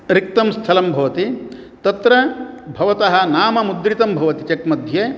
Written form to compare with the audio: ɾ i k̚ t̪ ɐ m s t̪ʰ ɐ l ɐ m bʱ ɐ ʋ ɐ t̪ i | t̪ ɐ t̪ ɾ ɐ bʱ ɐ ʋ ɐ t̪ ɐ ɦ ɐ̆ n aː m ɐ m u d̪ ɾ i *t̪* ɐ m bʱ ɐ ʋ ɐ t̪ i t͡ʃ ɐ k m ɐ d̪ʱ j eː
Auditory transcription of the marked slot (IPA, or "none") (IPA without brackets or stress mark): t̪